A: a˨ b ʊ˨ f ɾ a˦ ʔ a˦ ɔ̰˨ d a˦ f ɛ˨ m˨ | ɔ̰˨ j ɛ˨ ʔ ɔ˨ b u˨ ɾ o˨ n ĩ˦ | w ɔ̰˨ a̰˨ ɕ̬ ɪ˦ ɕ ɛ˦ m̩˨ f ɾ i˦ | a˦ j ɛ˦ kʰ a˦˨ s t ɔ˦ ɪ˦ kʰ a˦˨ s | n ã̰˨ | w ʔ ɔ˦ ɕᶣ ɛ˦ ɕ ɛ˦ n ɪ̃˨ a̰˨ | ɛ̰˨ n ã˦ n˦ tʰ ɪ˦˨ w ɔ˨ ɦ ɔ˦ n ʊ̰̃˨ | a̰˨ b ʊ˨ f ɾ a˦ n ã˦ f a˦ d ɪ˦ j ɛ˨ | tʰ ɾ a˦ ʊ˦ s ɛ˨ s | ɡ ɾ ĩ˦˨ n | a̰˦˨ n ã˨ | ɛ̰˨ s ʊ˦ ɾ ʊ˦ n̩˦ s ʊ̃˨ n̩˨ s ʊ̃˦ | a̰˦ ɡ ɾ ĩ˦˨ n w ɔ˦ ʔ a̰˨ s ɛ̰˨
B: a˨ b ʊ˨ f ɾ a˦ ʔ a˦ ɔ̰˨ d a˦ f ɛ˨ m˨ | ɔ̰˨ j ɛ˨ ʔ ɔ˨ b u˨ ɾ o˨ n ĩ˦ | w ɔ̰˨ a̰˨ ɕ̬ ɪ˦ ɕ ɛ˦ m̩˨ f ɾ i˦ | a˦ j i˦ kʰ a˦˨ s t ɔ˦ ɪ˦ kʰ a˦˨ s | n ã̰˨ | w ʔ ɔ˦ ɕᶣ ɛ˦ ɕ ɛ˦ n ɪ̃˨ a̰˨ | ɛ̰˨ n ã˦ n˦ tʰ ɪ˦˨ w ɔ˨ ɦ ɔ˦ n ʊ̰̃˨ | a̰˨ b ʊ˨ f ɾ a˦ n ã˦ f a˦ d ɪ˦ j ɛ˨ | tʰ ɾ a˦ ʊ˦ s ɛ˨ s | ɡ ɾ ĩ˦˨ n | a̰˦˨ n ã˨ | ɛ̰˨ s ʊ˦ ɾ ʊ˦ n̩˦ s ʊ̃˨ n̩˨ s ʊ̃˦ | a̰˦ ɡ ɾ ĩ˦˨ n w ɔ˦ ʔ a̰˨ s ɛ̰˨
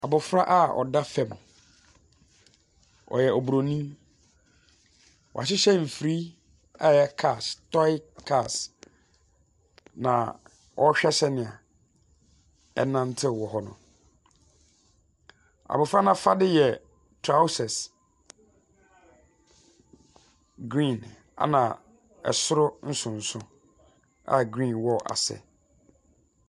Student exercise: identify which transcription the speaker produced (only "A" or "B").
A